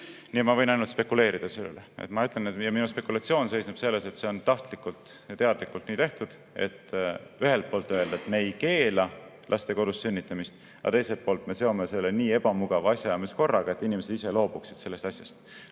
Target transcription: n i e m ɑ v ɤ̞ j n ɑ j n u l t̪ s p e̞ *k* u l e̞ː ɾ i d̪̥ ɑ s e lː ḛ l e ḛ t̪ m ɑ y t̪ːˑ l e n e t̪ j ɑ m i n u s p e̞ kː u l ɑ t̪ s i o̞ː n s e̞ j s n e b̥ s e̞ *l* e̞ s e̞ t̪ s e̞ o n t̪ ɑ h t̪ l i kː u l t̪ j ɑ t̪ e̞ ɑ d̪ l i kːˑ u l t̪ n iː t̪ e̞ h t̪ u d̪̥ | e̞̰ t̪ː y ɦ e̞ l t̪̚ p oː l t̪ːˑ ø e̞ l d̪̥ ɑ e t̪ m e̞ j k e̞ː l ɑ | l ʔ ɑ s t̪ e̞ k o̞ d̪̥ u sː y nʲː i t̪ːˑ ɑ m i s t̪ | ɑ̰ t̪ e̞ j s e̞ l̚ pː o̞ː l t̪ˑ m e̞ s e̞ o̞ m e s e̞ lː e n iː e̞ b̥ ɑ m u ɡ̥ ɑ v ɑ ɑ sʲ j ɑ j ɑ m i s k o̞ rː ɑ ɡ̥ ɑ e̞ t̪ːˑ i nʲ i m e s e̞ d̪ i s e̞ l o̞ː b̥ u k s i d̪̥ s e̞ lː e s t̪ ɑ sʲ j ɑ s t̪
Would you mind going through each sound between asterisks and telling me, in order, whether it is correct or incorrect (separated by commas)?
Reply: correct, incorrect